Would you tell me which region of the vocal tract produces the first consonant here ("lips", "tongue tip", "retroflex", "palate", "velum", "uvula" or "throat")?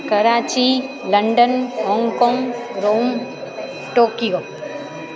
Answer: velum